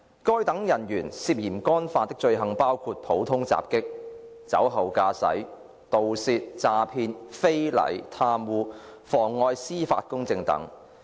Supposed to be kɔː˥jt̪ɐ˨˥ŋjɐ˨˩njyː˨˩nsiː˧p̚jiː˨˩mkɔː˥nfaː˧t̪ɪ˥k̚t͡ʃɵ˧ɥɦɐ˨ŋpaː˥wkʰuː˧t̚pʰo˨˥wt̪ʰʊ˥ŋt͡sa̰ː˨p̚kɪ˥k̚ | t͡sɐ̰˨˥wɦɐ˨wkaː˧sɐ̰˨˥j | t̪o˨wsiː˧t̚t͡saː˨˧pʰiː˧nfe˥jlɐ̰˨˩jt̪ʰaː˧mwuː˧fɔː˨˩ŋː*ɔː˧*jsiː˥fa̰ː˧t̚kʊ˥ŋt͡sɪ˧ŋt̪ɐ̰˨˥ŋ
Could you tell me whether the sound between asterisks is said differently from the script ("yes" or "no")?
no